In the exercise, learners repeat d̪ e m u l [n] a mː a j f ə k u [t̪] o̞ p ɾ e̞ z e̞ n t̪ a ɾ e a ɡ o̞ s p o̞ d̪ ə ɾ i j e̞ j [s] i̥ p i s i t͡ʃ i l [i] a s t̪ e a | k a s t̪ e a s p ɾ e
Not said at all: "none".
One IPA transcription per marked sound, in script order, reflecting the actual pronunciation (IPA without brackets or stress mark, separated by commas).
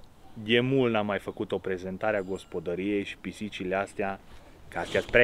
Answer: n, t̪, ʃ, e